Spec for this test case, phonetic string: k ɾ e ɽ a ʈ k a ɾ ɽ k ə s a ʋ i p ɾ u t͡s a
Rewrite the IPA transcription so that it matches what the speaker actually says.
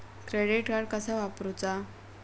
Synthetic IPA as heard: k ɾ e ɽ i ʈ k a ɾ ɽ k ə s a ʋ a p ɾ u t͡s a